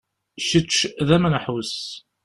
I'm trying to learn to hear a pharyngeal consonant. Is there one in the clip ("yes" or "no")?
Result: yes